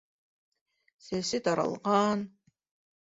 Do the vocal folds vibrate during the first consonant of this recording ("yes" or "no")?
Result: no